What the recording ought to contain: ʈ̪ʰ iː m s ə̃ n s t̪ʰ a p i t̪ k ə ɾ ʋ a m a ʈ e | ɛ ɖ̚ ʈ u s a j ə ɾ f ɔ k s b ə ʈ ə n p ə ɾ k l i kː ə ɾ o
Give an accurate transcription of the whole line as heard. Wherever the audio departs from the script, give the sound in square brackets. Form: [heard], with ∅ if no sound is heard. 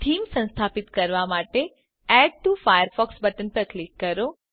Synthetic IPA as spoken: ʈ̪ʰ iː m s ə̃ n s t̪ʰ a p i t̪ k ə ɾ ʋ a m a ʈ e | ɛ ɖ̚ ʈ u [f] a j ə ɾ f ɔ k s b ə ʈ ə n p ə ɾ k l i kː ə ɾ o